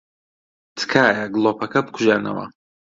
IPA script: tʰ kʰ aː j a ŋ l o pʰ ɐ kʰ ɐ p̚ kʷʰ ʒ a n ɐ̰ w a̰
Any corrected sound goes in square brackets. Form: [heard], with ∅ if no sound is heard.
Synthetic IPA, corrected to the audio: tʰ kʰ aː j a [ɡ] l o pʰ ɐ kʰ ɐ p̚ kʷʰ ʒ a n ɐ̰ w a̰